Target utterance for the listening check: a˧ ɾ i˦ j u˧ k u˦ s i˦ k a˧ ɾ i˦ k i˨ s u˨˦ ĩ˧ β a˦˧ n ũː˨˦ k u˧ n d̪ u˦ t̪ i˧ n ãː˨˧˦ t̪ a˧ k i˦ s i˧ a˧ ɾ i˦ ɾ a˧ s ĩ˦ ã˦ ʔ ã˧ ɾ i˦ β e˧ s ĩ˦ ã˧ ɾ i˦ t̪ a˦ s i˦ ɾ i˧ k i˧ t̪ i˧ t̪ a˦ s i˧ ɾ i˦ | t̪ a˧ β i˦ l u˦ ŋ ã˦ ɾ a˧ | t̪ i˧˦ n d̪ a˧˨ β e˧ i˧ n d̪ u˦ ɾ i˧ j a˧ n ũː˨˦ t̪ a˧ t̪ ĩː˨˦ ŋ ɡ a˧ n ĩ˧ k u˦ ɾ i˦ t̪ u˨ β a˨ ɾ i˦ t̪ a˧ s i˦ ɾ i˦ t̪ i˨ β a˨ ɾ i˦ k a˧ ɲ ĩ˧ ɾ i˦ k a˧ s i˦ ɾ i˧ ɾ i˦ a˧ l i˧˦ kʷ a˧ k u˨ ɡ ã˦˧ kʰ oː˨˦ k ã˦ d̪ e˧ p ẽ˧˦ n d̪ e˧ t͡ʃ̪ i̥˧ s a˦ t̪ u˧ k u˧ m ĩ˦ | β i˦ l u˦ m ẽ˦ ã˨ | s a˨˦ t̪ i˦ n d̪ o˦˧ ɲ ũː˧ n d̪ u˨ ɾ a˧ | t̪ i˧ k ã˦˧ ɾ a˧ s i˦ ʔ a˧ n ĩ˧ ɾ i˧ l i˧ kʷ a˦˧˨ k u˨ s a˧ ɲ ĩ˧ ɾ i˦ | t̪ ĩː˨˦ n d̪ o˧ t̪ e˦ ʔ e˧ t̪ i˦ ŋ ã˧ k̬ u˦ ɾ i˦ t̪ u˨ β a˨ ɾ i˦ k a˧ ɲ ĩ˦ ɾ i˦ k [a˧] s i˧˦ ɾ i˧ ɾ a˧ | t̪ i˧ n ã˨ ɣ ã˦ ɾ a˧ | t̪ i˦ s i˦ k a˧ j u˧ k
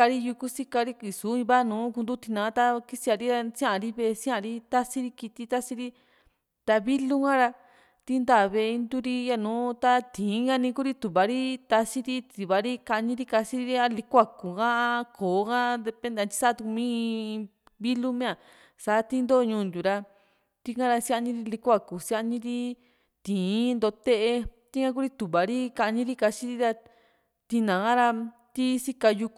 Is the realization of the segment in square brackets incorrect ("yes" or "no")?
no